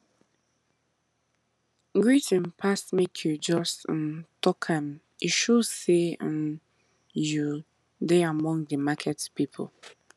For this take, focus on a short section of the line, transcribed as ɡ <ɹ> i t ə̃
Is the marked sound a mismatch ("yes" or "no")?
no